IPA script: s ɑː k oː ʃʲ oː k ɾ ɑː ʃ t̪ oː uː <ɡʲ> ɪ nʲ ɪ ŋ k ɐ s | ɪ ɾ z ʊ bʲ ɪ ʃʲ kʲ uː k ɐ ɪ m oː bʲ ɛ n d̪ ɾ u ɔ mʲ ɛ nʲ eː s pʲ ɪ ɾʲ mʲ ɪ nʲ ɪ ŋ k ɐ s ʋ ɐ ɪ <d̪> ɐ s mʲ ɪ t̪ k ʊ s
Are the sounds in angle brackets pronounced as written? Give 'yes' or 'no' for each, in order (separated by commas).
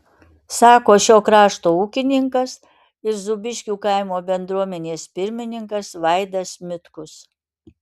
no, yes